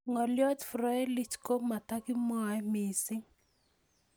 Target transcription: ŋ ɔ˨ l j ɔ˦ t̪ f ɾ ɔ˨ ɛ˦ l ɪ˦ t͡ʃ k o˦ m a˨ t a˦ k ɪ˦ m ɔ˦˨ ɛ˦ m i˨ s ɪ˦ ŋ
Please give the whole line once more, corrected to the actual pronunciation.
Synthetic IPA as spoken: ŋ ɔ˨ l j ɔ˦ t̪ f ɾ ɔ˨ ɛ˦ l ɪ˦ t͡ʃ k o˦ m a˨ t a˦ k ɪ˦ m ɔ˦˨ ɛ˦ m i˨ s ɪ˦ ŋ